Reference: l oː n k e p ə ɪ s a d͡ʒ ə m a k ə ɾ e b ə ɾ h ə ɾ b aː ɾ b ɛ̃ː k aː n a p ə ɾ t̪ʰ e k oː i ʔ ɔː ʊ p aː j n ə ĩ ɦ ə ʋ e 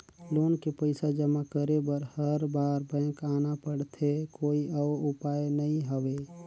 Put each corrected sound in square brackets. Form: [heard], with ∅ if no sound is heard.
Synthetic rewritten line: l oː n k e p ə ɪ s a d͡ʒ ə m a k ə ɾ e b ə ɾ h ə ɾ b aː ɾ b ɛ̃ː k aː n a p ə [ɽ] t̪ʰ e k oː i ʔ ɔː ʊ p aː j n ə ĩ ɦ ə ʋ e